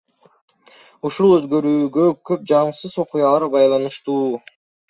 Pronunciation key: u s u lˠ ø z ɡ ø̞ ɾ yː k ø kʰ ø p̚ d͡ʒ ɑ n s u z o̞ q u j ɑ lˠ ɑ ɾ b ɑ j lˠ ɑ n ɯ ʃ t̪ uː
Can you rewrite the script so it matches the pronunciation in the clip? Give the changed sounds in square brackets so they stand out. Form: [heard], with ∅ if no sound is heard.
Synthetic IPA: u [ʃ] u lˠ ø z ɡ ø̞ ɾ yː [ɡ] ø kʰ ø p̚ d͡ʒ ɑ [ɴ] s [ɯ] z o̞ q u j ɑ lˠ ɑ ɾ b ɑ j lˠ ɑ n ɯ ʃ t̪ uː